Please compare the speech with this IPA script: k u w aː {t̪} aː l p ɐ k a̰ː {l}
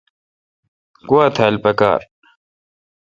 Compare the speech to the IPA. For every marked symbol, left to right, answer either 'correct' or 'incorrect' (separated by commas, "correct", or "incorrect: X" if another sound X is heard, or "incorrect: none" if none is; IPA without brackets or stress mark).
incorrect: t̪ʰ, incorrect: ɾ